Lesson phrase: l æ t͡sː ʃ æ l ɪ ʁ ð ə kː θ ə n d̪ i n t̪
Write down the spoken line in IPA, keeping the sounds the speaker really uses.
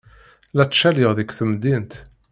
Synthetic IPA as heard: l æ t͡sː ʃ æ l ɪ ʁ ð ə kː θ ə m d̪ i n t̪